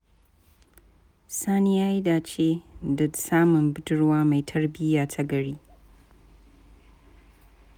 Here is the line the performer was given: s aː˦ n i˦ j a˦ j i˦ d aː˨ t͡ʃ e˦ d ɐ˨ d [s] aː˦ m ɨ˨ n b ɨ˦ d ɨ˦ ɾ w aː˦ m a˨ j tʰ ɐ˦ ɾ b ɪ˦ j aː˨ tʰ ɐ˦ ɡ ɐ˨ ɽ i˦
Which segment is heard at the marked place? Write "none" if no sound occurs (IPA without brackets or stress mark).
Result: s